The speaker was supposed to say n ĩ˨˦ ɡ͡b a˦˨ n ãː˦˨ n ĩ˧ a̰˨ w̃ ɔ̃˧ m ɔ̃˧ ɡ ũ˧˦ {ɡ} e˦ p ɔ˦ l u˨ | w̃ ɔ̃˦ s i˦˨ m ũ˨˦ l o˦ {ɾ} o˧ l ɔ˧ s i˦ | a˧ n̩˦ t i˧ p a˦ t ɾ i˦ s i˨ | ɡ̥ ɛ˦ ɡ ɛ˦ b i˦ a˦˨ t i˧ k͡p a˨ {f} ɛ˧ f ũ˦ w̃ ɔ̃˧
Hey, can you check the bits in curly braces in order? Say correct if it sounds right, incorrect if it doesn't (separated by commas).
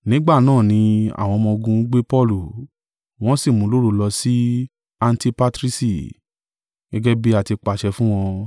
incorrect, correct, incorrect